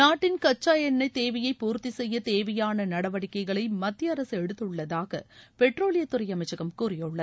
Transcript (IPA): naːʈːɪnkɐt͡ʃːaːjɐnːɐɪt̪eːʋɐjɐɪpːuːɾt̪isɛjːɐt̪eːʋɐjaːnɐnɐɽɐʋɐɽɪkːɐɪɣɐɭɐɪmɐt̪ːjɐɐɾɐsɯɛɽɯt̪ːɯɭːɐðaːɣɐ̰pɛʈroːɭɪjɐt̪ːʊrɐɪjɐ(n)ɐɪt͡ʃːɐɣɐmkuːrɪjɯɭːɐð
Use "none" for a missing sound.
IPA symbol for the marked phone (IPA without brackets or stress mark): m